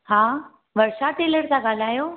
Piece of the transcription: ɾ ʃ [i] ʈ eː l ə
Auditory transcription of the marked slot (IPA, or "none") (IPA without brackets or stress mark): a